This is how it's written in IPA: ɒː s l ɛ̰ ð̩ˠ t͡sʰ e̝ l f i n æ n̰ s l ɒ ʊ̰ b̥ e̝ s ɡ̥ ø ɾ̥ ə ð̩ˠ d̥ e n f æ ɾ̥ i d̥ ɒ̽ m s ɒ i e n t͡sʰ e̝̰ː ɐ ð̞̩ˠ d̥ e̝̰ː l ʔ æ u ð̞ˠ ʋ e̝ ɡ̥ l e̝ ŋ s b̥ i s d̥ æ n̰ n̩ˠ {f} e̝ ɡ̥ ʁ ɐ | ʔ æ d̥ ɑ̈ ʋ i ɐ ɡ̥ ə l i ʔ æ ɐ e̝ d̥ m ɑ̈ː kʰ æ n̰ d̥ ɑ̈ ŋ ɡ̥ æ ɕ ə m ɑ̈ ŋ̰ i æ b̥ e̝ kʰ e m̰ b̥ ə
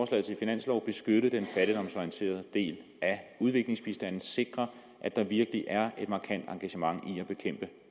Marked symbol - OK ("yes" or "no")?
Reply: no